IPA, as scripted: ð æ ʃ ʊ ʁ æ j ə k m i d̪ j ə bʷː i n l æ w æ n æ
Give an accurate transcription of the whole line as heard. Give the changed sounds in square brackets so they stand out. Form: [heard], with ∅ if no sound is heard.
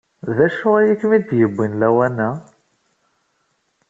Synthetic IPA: ð æ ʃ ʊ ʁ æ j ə k m i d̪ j ə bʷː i n l æ w æ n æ